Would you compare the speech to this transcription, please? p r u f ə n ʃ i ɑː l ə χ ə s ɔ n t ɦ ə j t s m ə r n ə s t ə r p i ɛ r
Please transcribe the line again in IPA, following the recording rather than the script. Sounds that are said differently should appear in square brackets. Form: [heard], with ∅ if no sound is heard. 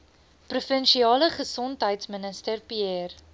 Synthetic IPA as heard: p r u f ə n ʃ i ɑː l ə χ ə s ɔ n t ɦ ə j t s m ə [∅] n ə s t ə r p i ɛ r